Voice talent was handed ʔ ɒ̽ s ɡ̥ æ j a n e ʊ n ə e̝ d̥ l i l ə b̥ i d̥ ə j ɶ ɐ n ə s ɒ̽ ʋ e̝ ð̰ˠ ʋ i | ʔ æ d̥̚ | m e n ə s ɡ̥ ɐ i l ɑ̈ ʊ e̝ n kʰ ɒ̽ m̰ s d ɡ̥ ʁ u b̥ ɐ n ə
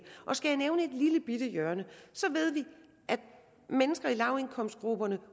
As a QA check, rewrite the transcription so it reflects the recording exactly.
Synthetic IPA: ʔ ɒ̽ s ɡ̥ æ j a n e ʊ n ə e̝ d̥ l i l ə b̥ i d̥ ə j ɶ ɐ n ə s ɒ̽ ʋ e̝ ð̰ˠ ʋ i | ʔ æ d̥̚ | m e n ə s ɡ̥ ɐ i l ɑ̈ ʊ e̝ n kʰ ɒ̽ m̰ s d ɡ̥ ʁ u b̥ ɐ n ə